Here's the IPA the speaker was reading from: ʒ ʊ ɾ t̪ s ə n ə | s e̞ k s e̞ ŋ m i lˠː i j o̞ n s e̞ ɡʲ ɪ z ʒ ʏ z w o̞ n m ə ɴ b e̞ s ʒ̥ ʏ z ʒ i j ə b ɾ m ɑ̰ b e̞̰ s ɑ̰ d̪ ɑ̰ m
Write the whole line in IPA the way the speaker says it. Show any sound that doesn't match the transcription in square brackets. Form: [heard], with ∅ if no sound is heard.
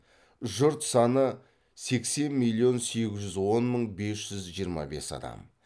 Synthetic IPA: ʒ ʊ ɾ t̪ s [ɑ] n ə | s e̞ k s e̞ [n] m i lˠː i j o̞ n s e̞ ɡʲ ɪ z ʒ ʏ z w o̞ n m ə ɴ b e̞ s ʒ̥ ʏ z ʒ i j ə [∅] ɾ m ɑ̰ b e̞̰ s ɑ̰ d̪ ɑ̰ m